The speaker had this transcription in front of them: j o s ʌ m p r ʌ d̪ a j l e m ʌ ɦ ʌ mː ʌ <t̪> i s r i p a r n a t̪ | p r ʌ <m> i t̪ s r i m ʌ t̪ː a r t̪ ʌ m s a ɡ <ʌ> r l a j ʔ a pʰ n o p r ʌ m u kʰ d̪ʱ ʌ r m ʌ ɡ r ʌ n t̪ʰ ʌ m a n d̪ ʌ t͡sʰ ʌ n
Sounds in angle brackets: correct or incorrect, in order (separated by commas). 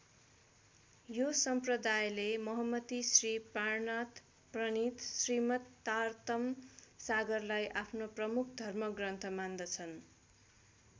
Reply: correct, incorrect, correct